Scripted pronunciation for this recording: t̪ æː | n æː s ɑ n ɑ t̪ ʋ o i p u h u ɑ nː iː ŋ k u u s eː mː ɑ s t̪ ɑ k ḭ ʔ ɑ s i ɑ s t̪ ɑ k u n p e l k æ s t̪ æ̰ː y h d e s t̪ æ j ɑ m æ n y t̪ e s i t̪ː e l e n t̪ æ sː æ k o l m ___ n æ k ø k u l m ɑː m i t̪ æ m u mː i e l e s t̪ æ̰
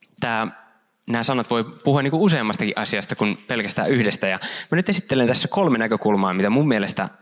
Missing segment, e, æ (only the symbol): e